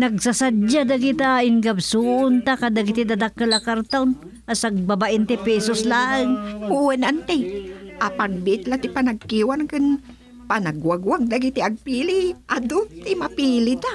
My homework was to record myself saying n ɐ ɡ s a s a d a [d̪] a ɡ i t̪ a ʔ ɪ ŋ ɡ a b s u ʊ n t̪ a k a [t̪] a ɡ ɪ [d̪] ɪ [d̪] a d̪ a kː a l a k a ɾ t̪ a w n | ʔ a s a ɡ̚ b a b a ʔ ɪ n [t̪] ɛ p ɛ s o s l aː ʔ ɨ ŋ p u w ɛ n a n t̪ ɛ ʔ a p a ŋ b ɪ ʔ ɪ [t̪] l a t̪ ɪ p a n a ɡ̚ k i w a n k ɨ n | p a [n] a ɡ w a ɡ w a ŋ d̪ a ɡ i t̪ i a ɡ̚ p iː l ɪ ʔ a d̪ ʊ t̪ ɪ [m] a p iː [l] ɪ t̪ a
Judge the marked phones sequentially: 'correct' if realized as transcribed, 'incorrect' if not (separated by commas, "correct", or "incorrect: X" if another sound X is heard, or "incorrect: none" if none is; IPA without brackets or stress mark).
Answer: correct, incorrect: d̪, incorrect: t̪, correct, correct, correct, correct, correct, correct